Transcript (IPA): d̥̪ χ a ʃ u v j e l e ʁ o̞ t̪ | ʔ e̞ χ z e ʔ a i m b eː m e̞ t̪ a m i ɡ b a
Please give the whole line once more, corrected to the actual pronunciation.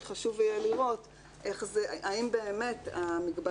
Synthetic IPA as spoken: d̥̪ χ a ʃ u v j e l i ʁ o̞ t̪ | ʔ e̞ χ z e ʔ a i m b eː m e̞ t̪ a m i ɡ b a